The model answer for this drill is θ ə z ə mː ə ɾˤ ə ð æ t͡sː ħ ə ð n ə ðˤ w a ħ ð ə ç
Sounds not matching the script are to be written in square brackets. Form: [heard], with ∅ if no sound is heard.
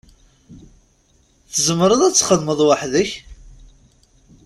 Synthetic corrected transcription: θ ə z ə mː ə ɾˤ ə ð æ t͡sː [χ] ə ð [m] ə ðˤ w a ħ ð ə ç